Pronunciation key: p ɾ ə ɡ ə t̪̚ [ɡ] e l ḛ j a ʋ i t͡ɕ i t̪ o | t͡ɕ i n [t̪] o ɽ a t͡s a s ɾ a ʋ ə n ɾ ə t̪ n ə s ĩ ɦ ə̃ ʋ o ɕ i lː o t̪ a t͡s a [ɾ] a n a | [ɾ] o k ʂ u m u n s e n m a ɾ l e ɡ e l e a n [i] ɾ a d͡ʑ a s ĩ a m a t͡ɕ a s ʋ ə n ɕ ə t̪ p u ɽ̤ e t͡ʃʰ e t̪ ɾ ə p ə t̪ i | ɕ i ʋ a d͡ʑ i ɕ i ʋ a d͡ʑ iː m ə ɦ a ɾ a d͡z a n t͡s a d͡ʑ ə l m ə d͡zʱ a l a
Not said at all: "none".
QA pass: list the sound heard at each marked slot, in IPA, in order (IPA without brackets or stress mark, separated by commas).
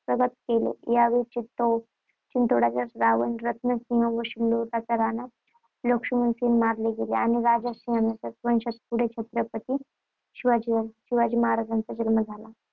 k, t̪, ɾ, l, i